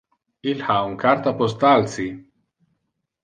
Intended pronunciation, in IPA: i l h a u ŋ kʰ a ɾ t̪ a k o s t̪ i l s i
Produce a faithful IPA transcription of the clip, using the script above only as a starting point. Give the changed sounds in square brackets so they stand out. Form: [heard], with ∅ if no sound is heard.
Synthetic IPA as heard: i l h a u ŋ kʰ a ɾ t̪ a [p] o s t̪ [a] l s i

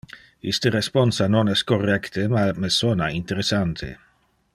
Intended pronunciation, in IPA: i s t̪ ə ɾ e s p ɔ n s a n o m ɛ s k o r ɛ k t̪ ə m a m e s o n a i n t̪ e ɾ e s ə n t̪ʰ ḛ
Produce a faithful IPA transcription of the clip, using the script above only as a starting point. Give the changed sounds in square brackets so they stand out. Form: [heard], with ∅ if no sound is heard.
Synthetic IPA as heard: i s t̪ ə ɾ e s p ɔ n s a n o [n] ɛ s k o r ɛ k t̪ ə m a m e s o n a i n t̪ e ɾ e s [a] n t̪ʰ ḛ

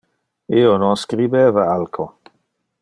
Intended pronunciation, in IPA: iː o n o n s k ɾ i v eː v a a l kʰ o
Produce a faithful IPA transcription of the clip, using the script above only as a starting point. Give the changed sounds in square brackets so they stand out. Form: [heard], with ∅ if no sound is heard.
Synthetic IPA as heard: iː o n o n s k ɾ i [b] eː v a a l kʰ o

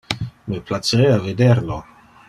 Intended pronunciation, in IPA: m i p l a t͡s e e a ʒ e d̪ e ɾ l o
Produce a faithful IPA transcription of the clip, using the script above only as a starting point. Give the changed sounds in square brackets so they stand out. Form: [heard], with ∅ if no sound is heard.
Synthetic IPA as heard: m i p l a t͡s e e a [v] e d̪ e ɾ l o

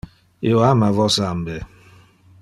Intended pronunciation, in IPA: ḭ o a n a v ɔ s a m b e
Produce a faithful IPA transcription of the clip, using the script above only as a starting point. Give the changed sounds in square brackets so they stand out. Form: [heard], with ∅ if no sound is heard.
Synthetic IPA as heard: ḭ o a [m] a v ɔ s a m b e

